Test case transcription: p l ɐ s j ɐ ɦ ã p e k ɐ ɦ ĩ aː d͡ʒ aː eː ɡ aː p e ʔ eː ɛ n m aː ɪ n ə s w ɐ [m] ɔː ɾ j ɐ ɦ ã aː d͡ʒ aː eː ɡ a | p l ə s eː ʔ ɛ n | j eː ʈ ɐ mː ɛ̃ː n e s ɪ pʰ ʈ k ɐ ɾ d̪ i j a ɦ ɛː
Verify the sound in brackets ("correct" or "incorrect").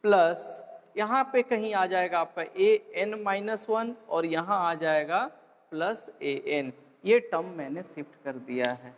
incorrect